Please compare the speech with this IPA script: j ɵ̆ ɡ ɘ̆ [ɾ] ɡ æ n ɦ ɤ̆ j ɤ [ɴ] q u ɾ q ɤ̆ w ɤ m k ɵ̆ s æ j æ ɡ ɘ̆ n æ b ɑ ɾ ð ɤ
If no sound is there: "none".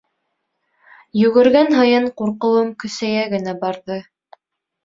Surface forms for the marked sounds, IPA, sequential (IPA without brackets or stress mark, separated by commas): ɾ, ɴ